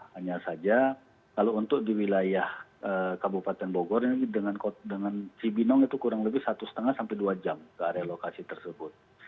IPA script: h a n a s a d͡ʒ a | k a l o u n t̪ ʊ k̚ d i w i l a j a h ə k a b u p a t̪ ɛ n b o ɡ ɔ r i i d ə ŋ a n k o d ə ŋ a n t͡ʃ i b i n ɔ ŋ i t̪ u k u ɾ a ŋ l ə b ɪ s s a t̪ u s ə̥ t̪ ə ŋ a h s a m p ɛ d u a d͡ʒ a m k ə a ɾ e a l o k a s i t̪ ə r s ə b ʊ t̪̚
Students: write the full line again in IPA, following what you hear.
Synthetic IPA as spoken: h a ɲ a s a d͡ʒ a | k a l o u n t̪ ʊ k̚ d i w i l a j a h ə k a b u p a t̪ ɛ n b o ɡ ɔ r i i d ə ŋ a n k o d ə ŋ a n t͡ʃ i b i n ɔ ŋ i t̪ u k u ɾ a ŋ l ə b ɪ h s a t̪ u s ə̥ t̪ ə ŋ a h s a m p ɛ d u a d͡ʒ a m k ə a ɾ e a l o k a s i t̪ ə r s ə b ʊ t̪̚